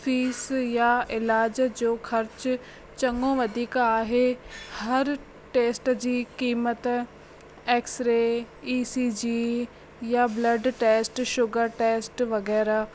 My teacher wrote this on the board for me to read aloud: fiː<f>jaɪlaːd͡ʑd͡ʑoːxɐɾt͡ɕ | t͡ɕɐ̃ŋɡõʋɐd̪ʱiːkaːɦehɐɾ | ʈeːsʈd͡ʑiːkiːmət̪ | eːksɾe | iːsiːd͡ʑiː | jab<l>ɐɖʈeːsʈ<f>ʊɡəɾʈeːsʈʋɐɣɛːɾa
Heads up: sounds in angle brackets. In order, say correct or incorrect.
incorrect, correct, incorrect

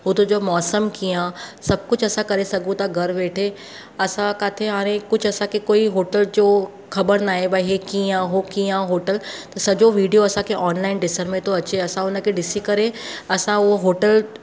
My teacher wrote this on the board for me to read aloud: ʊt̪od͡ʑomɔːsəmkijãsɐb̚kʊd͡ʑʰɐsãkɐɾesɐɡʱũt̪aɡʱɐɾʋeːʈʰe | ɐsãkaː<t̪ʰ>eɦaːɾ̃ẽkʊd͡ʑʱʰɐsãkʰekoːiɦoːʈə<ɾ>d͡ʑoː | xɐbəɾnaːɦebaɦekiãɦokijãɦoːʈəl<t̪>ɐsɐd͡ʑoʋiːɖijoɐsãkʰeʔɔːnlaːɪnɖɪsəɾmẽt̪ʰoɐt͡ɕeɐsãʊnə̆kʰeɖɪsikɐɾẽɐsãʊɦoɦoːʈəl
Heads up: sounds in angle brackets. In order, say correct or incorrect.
correct, incorrect, correct

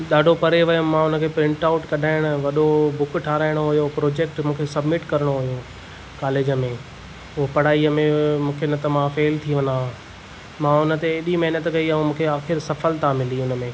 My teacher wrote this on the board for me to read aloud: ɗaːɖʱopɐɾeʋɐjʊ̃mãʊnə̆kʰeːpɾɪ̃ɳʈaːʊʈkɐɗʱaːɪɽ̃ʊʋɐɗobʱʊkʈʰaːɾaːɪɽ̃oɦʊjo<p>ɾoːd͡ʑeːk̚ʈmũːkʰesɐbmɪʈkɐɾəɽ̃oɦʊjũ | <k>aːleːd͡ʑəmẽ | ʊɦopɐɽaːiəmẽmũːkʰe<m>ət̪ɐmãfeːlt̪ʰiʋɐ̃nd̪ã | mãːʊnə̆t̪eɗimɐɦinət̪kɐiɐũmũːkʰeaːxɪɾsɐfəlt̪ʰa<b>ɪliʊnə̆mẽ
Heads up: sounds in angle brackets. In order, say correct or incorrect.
correct, correct, incorrect, incorrect

